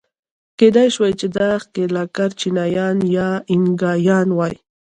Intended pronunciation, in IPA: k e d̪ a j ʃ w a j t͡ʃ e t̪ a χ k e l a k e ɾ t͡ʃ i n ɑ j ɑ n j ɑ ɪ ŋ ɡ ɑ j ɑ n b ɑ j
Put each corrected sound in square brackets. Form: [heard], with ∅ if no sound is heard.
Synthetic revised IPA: k e d̪ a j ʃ w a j t͡ʃ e [d̪] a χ k e l a k [a] ɾ t͡ʃ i n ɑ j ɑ n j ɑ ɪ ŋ ɡ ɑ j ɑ n [w] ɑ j